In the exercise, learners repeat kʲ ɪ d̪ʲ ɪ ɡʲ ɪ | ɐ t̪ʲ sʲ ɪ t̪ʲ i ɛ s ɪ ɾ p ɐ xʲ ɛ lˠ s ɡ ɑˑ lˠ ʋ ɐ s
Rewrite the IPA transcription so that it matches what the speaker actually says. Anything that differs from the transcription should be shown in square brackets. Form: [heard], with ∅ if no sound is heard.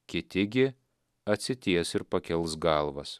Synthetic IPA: kʲ ɪ [t̪ʲ] ɪ ɡʲ ɪ | ɐ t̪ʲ sʲ ɪ t̪ʲ i ɛ s ɪ ɾ p ɐ [kʲ] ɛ lˠ s ɡ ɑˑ lˠ ʋ ɐ s